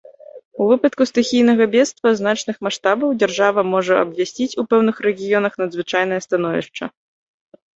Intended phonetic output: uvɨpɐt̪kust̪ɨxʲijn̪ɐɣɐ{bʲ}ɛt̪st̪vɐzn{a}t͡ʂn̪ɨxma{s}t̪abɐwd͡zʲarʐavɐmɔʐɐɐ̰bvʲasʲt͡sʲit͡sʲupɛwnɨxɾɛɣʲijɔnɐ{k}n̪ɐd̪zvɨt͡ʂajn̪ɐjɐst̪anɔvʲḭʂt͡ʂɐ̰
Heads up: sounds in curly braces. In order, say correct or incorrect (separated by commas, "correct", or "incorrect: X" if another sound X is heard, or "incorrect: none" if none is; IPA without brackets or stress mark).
correct, correct, incorrect: ʂ, incorrect: x